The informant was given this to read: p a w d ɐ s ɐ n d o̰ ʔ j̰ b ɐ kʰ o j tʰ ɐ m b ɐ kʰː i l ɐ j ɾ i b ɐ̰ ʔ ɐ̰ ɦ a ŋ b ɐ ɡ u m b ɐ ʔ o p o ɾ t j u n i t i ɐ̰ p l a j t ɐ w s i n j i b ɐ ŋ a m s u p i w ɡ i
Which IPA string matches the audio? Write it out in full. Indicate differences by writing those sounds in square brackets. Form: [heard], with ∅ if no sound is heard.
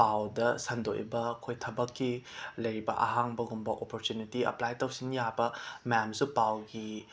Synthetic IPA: p a w d ɐ s ɐ n d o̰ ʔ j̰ b ɐ kʰ o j tʰ ɐ [∅] b ɐ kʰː i l ɐ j ɾ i b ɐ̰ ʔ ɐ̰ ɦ a ŋ b ɐ ɡ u m b ɐ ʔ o p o ɾ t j u n i t i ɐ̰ p l a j t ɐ w s i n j [a] b ɐ [m] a m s u p [a] w ɡ i